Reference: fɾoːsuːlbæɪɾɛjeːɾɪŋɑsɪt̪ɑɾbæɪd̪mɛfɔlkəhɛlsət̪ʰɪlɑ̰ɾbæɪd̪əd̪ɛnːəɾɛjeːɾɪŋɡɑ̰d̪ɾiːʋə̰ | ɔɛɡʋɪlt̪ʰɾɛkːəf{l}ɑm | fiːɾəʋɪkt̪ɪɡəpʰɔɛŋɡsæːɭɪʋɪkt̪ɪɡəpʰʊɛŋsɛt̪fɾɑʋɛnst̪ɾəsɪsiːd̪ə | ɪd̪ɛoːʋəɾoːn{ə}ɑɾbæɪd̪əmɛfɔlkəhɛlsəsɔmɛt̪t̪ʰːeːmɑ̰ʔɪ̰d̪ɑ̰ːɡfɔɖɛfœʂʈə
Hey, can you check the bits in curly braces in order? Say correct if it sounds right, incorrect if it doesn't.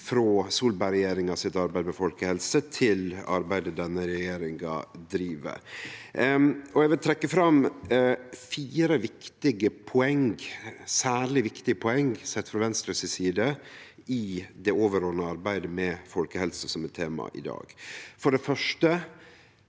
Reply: incorrect, correct

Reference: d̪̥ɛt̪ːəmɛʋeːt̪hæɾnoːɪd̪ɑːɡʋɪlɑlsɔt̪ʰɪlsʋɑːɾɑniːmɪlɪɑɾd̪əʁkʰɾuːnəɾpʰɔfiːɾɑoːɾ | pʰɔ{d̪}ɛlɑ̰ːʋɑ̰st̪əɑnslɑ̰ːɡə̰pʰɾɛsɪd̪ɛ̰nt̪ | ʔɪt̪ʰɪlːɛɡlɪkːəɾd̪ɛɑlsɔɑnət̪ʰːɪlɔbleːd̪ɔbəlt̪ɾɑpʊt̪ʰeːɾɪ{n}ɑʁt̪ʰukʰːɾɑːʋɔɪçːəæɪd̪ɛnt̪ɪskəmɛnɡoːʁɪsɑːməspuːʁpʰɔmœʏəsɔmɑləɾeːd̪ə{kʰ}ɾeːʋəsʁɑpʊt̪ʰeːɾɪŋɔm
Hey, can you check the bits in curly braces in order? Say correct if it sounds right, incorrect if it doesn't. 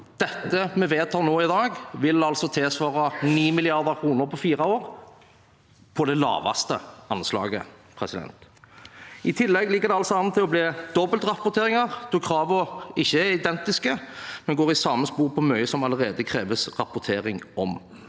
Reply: correct, incorrect, correct

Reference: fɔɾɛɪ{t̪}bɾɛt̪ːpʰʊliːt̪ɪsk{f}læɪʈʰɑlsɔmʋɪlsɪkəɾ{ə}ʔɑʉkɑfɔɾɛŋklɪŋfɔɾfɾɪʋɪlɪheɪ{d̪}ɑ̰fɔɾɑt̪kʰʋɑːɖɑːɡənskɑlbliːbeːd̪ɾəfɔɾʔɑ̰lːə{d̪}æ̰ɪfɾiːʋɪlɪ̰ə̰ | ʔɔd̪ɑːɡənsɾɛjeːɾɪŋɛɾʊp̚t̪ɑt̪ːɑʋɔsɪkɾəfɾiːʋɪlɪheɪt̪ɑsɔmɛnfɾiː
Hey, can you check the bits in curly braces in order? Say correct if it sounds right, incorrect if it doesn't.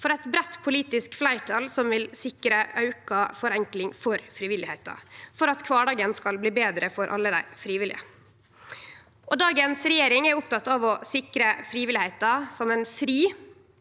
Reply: correct, correct, correct, incorrect, correct

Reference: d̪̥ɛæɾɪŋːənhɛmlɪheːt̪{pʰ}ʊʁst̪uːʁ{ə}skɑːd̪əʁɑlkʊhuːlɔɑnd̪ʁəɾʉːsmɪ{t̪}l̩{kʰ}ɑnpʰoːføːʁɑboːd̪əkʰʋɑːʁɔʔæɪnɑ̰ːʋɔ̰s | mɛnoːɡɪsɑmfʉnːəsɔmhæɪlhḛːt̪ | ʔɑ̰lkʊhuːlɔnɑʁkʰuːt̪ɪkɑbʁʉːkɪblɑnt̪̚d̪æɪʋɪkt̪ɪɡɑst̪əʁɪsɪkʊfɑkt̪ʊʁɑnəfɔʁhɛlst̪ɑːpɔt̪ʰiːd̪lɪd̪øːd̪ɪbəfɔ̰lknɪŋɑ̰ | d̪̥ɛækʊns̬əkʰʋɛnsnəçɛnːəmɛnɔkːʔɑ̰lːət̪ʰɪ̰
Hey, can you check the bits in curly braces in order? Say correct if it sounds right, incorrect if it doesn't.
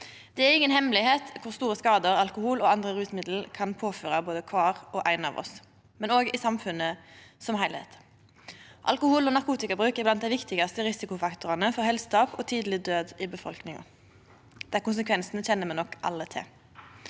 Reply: incorrect, correct, incorrect, correct

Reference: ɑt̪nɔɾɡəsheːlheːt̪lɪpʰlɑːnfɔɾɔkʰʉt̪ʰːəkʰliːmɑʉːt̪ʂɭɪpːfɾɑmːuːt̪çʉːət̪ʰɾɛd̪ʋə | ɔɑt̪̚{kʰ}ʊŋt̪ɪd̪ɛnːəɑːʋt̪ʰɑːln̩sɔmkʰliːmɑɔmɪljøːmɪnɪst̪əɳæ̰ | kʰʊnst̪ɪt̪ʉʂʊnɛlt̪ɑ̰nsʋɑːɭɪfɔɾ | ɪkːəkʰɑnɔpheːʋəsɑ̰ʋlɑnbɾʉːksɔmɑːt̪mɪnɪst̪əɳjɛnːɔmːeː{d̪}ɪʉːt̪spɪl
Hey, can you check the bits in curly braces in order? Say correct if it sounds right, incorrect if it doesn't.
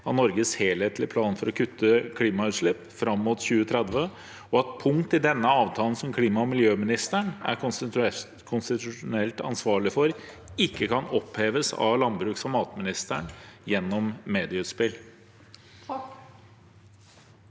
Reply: incorrect, correct

